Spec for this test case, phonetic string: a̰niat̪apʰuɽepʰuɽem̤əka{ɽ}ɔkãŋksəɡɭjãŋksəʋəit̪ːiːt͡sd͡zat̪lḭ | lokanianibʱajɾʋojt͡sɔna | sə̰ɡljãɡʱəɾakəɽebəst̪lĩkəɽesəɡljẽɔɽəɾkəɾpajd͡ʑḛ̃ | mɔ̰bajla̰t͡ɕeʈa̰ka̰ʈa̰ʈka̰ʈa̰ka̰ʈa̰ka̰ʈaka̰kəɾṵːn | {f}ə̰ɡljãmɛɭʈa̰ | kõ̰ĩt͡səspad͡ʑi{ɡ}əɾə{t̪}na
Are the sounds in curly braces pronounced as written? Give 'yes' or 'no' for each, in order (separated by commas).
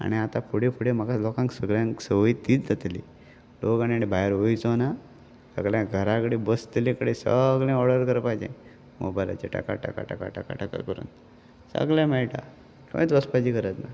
no, no, no, yes